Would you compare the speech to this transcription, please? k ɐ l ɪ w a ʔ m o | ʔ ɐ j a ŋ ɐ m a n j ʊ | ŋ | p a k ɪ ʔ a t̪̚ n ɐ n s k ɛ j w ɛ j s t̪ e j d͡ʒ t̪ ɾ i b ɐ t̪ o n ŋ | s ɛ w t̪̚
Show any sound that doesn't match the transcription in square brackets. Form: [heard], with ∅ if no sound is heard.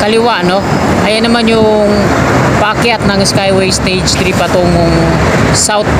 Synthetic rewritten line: k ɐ l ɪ w a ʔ [n] o | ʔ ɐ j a [n] ɐ m a n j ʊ | ŋ | p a k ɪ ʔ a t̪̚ n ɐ [ŋ] s k [a] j w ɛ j s t̪ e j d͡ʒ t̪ ɾ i [p] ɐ t̪ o [ŋ] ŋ | s [a] w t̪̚